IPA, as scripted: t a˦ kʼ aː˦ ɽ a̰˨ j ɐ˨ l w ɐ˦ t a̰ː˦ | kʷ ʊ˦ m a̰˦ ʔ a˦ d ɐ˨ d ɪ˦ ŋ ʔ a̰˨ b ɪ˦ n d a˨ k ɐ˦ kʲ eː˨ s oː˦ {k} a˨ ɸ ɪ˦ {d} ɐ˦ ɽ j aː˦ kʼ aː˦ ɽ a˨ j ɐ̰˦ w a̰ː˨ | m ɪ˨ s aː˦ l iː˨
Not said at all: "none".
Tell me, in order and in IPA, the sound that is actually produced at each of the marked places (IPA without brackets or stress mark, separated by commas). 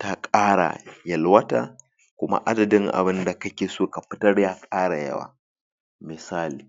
k, t